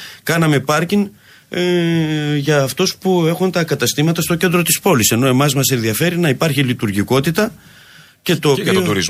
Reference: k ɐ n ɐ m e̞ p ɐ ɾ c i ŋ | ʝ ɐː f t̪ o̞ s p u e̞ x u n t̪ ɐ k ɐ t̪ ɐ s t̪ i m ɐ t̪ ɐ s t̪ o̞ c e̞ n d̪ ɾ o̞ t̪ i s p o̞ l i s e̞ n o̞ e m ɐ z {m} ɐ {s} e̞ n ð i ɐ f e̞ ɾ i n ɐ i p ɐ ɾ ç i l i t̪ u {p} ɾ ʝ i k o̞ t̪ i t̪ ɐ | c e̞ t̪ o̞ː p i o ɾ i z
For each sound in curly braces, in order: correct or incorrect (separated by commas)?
correct, correct, incorrect